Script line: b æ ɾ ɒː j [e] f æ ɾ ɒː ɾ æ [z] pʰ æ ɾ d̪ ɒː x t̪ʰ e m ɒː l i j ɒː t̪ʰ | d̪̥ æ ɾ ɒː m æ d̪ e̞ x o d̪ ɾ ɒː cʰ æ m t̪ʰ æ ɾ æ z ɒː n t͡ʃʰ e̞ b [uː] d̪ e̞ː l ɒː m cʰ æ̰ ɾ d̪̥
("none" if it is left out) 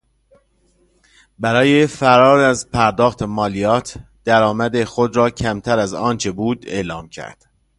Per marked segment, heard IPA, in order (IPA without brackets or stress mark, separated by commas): e, z, uː